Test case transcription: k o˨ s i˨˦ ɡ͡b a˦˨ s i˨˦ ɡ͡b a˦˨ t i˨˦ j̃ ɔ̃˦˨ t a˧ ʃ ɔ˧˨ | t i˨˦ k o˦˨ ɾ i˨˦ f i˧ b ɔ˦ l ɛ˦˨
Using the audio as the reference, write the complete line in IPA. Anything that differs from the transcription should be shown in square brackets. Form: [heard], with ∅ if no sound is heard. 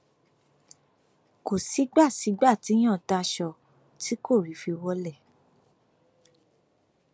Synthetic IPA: k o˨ s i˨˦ ɡ͡b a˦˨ s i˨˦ ɡ͡b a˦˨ t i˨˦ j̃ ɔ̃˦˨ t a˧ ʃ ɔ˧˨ | t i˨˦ k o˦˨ ɾ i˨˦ f i˧ [w] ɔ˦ l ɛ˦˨